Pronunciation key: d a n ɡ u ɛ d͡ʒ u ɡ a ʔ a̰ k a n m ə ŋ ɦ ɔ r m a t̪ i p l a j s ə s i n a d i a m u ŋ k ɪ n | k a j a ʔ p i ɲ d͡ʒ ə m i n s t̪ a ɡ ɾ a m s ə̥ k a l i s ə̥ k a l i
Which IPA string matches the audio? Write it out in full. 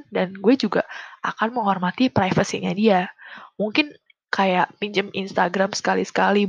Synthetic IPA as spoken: d a n ɡ u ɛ d͡ʒ u ɡ a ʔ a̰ k a n m ə ŋ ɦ ɔ r m a t̪ i p ɾ a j f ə s i ɲ a d i a m u ŋ k ɪ n | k a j a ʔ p i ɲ d͡ʒ ə m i n s t̪ a ɡ ɾ a m s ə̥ k a l i s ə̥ k a l i